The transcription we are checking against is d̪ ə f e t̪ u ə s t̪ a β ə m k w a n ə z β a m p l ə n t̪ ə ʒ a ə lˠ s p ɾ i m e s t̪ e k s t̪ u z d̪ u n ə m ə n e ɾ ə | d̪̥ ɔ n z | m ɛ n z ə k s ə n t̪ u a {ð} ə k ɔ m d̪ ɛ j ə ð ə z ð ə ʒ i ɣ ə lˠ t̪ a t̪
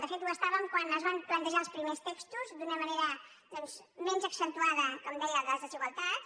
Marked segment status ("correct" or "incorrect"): correct